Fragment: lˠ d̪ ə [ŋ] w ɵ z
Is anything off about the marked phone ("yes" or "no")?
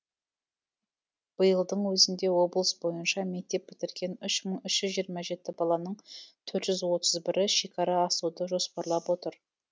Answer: yes